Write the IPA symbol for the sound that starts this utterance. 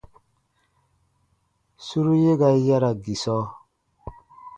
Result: s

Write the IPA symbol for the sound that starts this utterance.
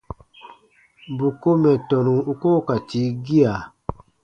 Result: b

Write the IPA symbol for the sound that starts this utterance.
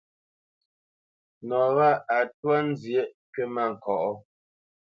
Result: n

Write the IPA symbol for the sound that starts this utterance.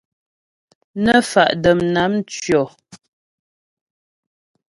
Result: n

